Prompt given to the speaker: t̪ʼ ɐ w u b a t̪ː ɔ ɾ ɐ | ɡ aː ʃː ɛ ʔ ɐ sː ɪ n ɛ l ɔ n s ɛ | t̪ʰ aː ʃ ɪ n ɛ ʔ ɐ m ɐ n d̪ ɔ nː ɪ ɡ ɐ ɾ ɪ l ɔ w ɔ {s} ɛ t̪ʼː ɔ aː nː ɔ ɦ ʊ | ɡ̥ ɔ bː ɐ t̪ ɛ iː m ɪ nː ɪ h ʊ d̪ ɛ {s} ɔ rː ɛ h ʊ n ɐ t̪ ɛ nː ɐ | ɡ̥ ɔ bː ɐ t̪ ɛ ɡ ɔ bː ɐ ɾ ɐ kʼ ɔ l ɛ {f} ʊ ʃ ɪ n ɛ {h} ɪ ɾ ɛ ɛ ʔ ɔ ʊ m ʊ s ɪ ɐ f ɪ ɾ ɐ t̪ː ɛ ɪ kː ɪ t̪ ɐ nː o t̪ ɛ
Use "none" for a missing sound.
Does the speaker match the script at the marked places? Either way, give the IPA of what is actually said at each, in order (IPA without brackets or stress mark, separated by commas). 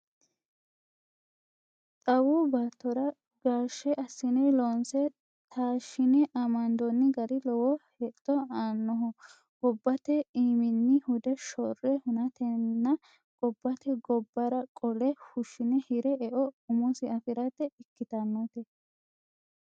h, ʃ, h, h